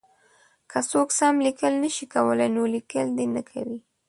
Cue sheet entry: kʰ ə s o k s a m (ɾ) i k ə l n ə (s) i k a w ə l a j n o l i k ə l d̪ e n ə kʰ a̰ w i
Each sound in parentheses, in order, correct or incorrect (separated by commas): incorrect, incorrect